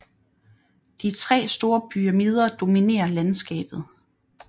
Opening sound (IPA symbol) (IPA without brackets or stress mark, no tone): d̥